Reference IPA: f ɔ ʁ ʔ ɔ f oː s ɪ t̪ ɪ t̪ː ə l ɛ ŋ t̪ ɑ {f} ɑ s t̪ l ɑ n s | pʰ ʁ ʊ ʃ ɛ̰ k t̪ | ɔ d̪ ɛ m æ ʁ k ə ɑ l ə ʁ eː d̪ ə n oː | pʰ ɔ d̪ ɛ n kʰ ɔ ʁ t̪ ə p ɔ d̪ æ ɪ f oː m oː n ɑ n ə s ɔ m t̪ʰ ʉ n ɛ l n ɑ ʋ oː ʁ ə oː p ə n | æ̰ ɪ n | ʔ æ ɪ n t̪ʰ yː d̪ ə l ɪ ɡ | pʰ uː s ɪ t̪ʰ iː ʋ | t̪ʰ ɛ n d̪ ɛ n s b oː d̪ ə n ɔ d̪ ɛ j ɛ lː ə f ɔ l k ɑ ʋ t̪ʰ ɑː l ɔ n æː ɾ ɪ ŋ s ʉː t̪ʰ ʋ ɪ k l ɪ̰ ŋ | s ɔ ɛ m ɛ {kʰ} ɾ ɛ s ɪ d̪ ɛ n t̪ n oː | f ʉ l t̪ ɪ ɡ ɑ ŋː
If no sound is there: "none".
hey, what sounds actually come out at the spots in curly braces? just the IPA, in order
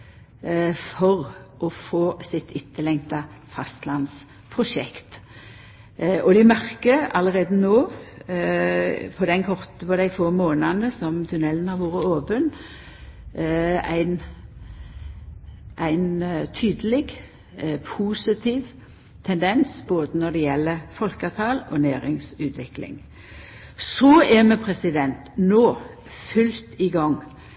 f, pʰ

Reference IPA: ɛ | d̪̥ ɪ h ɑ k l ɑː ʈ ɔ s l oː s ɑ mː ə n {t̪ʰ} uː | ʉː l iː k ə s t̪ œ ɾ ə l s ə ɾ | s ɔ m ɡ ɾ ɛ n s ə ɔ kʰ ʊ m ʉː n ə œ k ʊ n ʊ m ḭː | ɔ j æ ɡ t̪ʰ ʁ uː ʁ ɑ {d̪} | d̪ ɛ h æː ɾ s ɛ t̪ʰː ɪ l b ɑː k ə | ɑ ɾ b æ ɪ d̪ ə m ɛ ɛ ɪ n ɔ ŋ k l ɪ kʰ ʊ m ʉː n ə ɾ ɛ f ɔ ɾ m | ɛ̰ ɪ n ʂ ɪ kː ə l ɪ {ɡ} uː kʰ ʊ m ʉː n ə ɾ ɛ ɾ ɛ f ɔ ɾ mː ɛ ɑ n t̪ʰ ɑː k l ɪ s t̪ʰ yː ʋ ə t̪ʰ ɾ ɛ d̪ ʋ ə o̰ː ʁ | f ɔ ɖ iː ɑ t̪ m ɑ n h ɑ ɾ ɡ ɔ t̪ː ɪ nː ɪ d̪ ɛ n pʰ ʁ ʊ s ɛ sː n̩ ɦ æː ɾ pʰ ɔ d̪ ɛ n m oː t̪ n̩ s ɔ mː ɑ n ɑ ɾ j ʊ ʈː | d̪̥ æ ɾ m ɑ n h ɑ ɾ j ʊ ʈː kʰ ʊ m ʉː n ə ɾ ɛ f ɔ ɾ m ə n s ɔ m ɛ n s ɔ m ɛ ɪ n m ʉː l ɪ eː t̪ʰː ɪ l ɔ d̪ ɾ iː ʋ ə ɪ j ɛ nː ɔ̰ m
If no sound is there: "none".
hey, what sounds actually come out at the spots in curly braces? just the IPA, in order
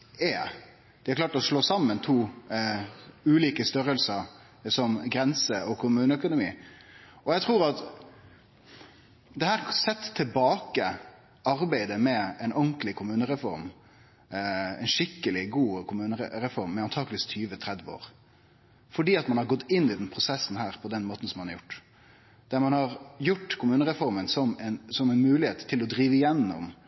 t̪ʰ, t̪, ɡ

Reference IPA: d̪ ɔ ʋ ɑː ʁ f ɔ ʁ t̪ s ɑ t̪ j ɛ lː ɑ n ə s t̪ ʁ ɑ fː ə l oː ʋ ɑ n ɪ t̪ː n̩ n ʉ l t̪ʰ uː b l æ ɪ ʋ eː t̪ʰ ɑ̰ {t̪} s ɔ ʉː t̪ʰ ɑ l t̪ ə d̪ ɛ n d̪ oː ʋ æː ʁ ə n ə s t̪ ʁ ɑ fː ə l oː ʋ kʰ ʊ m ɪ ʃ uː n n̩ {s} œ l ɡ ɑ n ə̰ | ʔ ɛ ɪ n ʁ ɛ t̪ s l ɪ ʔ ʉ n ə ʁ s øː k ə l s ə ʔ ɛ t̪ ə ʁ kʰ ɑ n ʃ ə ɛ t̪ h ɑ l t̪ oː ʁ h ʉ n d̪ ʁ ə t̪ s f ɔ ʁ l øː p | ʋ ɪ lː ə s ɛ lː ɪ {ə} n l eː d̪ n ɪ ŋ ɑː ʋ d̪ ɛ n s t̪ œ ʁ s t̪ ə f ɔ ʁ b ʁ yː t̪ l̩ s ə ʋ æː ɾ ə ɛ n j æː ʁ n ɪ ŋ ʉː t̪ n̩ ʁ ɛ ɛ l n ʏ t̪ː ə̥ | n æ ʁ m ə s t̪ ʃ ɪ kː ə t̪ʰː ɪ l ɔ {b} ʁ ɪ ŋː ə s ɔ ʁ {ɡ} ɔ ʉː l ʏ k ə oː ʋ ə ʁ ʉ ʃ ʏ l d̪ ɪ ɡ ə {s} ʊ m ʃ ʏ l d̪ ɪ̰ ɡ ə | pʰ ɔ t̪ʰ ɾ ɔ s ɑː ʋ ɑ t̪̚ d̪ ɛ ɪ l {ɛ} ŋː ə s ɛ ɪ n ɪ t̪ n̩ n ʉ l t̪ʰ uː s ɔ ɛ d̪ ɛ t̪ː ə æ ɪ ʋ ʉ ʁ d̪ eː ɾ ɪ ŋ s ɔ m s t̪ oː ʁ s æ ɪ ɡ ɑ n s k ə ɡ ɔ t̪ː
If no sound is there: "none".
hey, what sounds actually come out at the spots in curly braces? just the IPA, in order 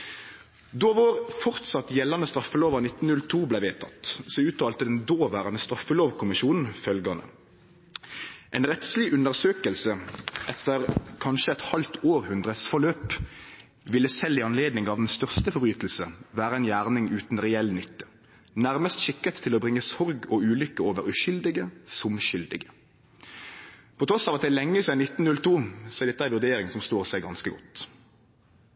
t̪, f, ɑ, b, ɡ, s, ɛ

